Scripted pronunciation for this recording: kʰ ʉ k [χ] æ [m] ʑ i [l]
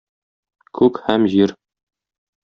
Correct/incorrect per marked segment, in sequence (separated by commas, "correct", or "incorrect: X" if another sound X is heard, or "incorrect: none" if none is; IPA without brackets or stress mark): incorrect: h, correct, incorrect: ɾ